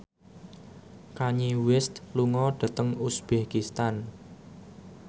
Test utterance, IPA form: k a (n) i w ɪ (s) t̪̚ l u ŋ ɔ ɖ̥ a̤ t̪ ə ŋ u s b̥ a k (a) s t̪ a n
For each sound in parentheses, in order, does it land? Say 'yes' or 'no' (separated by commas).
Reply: no, yes, no